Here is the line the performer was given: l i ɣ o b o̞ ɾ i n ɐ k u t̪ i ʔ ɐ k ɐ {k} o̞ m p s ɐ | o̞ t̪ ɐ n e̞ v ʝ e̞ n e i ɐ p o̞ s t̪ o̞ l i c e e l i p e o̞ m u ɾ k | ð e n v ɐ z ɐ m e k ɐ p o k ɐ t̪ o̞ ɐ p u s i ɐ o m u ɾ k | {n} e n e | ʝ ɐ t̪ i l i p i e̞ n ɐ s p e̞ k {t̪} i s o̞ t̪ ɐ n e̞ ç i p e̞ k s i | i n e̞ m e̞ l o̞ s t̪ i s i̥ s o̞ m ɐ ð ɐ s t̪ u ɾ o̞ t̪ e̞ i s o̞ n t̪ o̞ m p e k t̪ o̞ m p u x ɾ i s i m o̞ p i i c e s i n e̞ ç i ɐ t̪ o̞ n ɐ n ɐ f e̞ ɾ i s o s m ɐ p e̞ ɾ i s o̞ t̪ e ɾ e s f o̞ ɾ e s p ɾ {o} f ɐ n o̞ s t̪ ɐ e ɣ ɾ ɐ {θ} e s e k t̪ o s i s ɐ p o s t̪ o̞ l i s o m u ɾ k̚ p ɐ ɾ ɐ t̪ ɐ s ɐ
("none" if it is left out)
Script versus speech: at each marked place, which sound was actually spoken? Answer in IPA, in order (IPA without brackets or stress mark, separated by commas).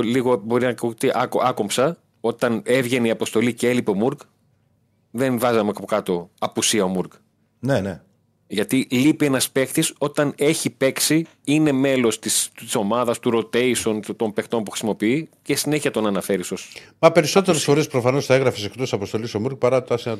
k, n, t̪, o, f